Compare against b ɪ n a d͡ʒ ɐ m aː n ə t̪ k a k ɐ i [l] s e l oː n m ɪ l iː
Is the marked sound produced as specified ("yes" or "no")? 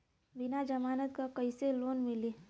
no